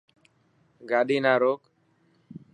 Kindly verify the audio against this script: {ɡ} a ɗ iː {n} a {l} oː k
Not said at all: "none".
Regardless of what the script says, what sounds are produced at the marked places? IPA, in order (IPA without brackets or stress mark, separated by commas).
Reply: ɡ, n, ɾ